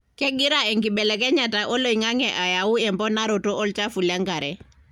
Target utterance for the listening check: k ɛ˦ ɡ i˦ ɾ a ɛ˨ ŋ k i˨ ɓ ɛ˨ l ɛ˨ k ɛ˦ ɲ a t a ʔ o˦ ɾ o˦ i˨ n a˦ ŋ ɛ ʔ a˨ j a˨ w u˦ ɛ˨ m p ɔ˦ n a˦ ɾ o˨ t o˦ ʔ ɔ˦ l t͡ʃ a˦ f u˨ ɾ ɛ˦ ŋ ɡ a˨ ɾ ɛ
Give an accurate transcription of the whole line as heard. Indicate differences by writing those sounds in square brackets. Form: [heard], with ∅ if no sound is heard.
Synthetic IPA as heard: k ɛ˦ ɡ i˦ ɾ a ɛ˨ ŋ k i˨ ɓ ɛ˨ l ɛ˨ k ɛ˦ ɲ a t a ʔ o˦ [l] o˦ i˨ [ŋ] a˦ ŋ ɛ ʔ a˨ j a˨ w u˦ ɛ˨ m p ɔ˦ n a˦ ɾ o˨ t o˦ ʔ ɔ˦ l t͡ʃ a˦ f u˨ [l] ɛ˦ ŋ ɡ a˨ ɾ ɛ